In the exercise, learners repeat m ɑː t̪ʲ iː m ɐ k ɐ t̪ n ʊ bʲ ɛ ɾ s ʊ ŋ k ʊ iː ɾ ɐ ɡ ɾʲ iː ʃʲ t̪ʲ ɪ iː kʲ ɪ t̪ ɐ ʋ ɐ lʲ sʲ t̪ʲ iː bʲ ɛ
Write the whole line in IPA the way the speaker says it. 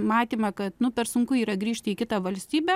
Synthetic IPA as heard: m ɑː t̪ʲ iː m ɐ k ɐ t̪ n ʊ pʲ ɛ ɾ s ʊ ŋ k ʊ iː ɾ ɐ ɡ ɾʲ iː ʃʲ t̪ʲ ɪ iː kʲ ɪ t̪ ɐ ʋ ɐ lʲ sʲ t̪ʲ iː bʲ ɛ